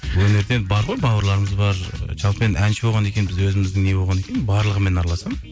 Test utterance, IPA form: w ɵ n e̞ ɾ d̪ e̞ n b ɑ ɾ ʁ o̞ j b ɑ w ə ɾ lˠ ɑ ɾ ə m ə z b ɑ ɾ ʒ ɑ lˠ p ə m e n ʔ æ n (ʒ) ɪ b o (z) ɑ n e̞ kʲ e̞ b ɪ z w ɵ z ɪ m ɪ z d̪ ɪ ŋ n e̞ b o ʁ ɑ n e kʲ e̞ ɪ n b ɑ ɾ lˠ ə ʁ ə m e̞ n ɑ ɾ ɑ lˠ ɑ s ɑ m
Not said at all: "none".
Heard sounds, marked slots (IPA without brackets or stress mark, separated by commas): ʃ, ʁ